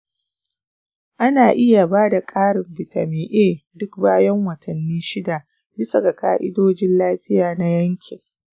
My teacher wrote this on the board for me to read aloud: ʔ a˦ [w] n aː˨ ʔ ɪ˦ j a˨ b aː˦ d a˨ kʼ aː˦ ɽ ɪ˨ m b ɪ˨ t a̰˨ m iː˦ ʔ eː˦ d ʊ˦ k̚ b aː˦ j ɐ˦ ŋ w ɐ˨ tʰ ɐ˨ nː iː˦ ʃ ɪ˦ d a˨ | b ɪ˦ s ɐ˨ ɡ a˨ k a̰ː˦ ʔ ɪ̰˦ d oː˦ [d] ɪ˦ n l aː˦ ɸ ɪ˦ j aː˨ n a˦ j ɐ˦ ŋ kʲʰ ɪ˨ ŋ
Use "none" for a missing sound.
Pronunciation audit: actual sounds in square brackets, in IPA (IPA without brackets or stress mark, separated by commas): none, d͡ʒ